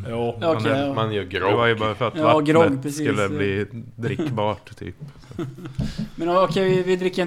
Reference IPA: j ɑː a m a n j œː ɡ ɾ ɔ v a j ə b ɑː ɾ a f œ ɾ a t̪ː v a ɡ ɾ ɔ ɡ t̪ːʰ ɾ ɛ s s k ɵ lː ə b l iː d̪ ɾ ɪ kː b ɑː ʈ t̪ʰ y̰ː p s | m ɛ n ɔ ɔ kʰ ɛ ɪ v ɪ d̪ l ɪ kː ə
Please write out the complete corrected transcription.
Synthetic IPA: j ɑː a m a n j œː ɡ ɾ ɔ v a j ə b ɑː ɾ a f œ ɾ a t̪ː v a ɡ ɾ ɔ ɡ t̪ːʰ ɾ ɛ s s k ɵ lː ə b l iː d̪ ɾ ɪ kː b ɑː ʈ t̪ʰ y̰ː p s | m ɛ n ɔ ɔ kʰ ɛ ɪ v ɪ d̪ ɾ ɪ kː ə